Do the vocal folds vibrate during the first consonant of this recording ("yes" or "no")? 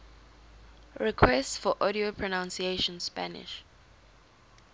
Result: yes